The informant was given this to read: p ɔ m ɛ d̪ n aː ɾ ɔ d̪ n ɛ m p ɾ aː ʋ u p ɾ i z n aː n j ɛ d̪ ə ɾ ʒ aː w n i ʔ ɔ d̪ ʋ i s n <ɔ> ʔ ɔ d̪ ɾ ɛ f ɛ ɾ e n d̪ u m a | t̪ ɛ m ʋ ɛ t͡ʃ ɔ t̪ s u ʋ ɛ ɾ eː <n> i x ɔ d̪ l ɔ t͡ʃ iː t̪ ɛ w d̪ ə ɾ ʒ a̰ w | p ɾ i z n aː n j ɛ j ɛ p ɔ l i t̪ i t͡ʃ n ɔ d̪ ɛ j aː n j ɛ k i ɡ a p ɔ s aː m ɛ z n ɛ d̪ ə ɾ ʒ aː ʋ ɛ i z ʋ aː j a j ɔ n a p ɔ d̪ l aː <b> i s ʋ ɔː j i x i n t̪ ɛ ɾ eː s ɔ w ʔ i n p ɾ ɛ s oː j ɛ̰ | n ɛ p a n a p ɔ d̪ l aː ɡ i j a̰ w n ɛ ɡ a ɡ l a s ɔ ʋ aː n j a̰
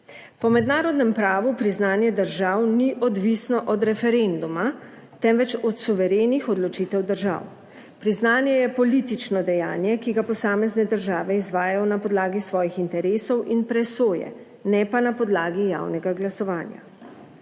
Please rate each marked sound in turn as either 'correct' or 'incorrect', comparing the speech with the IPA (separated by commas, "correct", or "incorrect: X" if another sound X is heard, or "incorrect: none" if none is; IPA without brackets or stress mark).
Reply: correct, correct, incorrect: ɡ